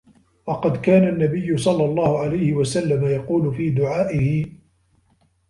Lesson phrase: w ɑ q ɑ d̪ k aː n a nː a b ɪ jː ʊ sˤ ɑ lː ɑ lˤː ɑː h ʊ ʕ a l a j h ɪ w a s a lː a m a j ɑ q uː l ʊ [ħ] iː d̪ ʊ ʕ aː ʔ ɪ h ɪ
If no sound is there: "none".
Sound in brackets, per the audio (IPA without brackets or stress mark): f